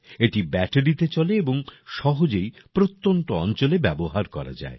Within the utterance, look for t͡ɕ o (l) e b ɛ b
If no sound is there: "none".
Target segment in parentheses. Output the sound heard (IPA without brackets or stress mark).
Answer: l